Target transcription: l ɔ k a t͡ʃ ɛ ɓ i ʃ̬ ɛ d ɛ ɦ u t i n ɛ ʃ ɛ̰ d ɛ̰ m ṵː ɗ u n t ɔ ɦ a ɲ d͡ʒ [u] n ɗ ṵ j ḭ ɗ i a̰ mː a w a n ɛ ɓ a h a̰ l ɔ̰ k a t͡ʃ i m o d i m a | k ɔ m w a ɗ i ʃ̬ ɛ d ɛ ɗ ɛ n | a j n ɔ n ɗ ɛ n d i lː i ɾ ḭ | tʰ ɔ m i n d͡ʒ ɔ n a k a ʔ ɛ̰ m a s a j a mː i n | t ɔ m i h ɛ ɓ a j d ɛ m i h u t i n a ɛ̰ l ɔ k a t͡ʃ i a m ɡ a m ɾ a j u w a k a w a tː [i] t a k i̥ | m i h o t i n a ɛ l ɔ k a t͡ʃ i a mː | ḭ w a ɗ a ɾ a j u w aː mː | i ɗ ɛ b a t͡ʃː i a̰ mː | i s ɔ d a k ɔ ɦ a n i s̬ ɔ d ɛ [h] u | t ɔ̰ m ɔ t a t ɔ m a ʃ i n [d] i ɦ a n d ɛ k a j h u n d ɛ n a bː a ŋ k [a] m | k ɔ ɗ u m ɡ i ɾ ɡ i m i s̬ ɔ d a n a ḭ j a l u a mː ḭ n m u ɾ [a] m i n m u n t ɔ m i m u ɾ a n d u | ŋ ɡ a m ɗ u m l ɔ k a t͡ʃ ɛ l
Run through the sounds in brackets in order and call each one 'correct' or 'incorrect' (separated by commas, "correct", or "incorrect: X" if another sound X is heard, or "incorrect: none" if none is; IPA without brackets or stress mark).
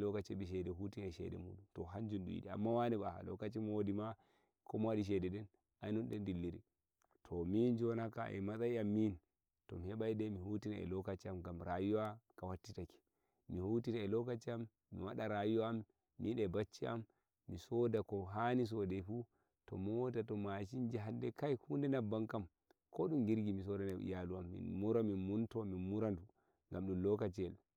correct, correct, incorrect: f, incorrect: d͡ʒ, correct, correct